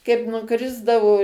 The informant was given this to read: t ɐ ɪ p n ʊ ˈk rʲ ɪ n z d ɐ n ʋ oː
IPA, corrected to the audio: k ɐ ɪ p n ʊ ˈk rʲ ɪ z d ɐ ʋ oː